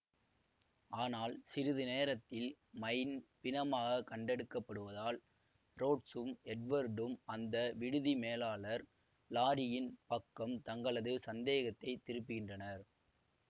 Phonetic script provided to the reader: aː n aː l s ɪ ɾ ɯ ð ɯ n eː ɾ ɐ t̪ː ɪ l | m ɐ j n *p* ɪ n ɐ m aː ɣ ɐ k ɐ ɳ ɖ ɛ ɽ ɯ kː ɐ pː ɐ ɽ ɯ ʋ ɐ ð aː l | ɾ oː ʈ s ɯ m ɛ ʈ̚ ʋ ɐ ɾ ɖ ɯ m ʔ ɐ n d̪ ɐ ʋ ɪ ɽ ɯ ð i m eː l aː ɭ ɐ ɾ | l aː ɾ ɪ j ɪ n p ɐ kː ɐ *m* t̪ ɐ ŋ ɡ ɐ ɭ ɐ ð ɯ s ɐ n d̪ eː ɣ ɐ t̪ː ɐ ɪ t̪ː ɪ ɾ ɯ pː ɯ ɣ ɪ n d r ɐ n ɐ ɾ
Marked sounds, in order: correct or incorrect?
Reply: correct, correct

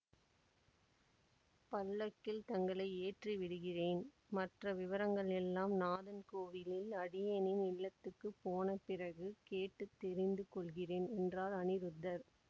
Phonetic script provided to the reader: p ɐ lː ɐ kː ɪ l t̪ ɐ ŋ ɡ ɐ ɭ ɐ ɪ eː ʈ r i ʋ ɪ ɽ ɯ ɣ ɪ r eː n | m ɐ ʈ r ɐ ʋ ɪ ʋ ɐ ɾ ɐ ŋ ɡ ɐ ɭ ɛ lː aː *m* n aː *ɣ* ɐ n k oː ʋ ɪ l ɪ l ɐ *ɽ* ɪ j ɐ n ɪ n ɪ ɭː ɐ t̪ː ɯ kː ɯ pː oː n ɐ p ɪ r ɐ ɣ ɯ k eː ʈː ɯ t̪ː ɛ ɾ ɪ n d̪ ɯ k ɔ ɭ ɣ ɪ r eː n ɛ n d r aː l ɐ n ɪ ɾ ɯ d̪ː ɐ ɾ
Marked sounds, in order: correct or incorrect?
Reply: correct, incorrect, correct

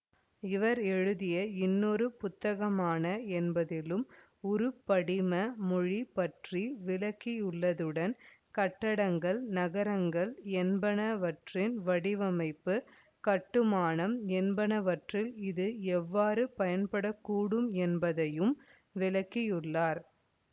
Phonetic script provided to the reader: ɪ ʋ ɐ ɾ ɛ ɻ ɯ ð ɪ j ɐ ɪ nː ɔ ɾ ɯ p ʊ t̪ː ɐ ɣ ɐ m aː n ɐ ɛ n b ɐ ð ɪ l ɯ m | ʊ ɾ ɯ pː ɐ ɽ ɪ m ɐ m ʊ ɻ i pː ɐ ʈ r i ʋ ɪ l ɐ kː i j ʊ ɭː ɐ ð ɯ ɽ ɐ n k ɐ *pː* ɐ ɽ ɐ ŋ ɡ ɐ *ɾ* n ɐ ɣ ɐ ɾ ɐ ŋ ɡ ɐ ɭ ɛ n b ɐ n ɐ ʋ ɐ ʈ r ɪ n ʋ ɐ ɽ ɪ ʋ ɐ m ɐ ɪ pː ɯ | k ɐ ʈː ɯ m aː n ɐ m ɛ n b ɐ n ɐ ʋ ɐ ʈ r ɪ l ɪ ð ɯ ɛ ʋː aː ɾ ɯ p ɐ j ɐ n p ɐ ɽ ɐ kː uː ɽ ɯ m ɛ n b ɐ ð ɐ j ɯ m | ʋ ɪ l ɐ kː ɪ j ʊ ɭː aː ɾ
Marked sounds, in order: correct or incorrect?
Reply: incorrect, incorrect

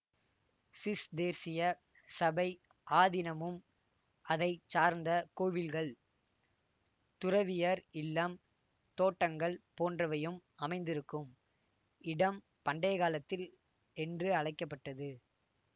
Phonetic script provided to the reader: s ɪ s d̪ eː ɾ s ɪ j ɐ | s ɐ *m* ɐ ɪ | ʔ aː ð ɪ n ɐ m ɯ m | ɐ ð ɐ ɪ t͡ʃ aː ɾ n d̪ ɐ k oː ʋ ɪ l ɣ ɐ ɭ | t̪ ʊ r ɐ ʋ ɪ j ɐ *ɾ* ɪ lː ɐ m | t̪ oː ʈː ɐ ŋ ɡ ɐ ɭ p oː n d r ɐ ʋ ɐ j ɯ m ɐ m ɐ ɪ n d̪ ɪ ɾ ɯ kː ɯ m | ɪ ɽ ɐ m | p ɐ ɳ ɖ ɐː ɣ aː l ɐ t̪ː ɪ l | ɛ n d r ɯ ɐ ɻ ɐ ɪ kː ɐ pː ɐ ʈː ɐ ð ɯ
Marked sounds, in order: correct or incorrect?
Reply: incorrect, correct

